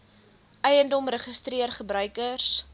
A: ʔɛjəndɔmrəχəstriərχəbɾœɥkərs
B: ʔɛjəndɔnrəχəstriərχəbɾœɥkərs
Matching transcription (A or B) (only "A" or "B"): A